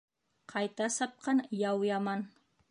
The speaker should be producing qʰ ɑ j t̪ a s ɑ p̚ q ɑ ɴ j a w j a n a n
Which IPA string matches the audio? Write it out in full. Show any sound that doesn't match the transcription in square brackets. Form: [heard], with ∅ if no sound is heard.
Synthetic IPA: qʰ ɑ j t̪ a s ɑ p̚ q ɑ [n] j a w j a [m] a n